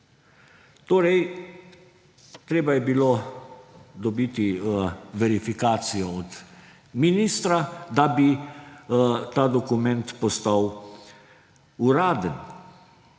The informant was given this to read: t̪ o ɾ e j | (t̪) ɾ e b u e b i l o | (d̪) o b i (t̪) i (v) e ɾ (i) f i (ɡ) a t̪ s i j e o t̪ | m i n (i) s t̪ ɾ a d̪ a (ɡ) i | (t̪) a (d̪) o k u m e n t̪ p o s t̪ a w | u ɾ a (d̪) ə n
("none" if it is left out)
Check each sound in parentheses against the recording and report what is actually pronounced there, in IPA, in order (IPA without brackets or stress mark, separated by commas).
t̪, d̪, t̪, v, i, k, i, b, t̪, d̪, d̪